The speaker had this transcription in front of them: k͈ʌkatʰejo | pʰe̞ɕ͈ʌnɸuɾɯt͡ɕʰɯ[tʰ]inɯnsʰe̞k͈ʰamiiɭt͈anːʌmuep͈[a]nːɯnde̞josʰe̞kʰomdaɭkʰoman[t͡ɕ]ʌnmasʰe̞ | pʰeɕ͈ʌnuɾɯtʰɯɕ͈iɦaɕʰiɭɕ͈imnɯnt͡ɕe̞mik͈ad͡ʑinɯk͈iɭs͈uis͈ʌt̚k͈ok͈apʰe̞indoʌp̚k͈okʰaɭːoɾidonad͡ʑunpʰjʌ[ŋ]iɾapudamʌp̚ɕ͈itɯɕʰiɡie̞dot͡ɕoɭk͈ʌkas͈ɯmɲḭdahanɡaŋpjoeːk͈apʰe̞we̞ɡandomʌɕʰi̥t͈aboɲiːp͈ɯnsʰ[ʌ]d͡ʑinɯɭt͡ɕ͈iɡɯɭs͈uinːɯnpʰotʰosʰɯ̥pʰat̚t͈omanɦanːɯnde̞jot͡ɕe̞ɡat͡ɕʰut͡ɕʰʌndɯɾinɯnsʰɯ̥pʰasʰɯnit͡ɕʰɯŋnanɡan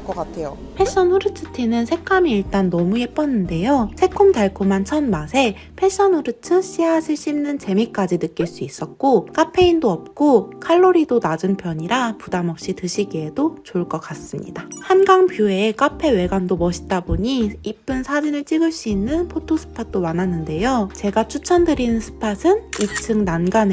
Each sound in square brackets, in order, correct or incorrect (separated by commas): correct, incorrect, incorrect, incorrect, incorrect